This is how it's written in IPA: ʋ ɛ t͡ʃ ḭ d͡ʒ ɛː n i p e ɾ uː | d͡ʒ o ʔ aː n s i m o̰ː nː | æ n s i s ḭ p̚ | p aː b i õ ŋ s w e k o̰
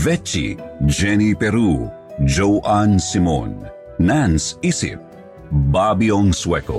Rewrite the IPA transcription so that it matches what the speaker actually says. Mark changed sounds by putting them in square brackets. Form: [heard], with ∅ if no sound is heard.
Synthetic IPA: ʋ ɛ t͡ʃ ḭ d͡ʒ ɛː n i p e ɾ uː | d͡ʒ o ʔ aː n s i m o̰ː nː | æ n s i s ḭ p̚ | [b] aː b i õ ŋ s w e k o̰